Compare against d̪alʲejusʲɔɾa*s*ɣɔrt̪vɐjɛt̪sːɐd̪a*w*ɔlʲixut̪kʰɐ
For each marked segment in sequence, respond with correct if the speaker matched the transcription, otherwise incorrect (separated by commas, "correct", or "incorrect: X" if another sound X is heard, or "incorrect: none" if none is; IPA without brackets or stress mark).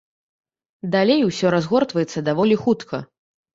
incorrect: z, incorrect: v